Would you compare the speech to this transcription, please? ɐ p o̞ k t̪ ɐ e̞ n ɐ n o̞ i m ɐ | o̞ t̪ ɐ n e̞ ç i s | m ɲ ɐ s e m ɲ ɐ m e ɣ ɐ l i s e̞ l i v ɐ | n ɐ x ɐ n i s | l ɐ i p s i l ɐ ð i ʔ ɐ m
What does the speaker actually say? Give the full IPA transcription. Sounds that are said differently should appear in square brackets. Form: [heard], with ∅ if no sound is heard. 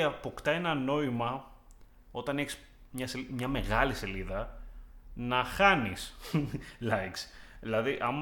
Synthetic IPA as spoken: ɐ p o̞ k t̪ ɐ e̞ n ɐ n o̞ i m ɐ | o̞ t̪ ɐ n e̞ ç i s | m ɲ ɐ s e m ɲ ɐ m e ɣ ɐ l i s e̞ l i [ð] ɐ | n ɐ x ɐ n i s | l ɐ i [k] s i l ɐ ð i ʔ ɐ m